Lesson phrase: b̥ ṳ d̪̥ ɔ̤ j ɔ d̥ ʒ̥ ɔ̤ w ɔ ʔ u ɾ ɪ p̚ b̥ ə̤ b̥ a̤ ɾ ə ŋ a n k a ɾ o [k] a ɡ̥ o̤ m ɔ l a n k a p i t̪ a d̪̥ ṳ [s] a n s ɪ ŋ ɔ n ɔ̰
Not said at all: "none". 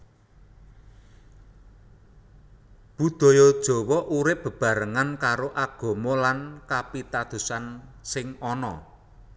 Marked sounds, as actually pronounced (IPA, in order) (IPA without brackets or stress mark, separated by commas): ʔ, s